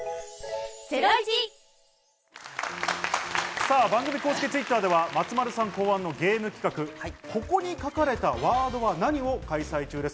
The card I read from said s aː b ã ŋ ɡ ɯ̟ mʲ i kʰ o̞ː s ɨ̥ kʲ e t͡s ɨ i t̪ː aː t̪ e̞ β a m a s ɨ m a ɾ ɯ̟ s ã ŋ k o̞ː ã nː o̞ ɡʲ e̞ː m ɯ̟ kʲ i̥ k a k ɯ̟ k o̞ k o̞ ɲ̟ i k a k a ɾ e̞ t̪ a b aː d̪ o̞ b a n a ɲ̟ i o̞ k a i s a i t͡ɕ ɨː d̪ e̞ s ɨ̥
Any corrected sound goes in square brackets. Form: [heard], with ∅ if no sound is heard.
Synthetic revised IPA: s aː b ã ŋ ɡ ɯ̟ mʲ i [k] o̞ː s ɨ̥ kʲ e t͡s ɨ i t̪ː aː [d̪] e̞ β a m a [t͡s] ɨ m a ɾ ɯ̟ s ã ŋ k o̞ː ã nː o̞ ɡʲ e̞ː m ɯ̟ kʲ i̥ k a k ɯ̟ k o̞ k o̞ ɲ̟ i k a k a ɾ e̞ t̪ a [β] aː d̪ o̞ [β] a n a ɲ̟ i o̞ k a i s a i t͡ɕ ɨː d̪ e̞ s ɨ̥